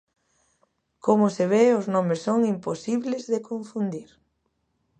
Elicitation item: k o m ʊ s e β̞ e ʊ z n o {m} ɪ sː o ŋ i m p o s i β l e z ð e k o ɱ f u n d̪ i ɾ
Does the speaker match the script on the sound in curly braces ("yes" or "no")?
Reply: yes